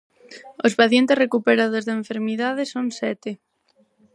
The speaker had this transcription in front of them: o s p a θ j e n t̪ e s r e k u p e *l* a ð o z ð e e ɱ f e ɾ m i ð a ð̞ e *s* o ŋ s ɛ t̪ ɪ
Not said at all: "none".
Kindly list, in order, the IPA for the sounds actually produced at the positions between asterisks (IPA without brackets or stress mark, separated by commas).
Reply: ɾ, s